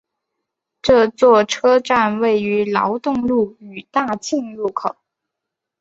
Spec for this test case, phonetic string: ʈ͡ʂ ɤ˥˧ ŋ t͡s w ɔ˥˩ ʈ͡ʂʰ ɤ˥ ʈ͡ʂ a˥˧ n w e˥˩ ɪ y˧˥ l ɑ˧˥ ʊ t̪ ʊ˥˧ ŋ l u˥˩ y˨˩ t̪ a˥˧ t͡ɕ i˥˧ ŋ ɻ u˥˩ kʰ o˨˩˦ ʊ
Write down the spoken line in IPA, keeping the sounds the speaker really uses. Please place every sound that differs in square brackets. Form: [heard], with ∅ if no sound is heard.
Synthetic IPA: ʈ͡ʂ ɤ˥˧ [∅] t͡s w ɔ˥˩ ʈ͡ʂʰ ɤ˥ ʈ͡ʂ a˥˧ n w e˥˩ ɪ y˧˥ l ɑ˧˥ ʊ t̪ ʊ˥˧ ŋ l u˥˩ y˨˩ t̪ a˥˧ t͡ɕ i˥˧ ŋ ɻ u˥˩ kʰ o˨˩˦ ʊ